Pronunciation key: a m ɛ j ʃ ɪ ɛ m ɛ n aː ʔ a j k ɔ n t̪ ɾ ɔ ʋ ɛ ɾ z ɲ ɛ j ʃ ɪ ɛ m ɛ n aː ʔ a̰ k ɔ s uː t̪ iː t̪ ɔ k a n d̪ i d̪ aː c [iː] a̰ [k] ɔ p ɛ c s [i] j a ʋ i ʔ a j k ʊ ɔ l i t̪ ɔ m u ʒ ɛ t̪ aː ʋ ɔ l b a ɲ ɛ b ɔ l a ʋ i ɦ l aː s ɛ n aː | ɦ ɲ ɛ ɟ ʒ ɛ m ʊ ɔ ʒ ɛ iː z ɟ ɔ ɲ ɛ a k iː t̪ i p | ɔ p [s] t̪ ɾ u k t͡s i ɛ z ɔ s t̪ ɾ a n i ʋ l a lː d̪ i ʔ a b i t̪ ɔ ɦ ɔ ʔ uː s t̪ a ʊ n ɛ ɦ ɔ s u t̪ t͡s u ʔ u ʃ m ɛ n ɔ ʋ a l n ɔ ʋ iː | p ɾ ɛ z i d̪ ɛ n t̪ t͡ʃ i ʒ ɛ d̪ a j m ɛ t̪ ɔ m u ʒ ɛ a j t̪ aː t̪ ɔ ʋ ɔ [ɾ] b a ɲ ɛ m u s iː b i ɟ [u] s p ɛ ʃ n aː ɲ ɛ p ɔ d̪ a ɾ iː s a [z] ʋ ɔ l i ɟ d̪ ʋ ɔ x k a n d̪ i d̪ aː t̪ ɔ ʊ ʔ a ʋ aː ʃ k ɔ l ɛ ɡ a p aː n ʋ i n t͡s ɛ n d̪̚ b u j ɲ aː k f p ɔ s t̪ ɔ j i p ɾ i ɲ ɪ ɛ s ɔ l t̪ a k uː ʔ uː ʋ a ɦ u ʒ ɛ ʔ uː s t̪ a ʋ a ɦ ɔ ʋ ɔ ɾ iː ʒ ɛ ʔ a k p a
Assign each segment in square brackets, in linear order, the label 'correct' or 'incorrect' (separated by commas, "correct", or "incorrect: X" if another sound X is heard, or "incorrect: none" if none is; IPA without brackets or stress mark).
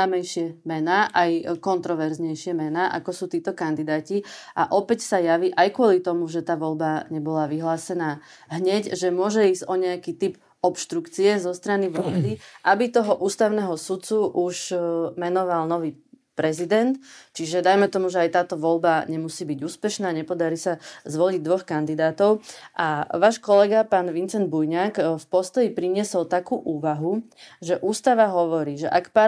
incorrect: i, incorrect: ʔ, incorrect: a, incorrect: ʃ, incorrect: l, incorrect: uː, correct